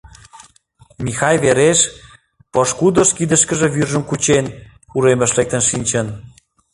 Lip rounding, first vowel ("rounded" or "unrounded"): unrounded